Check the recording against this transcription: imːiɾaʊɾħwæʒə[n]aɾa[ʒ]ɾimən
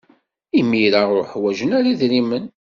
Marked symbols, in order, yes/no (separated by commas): yes, no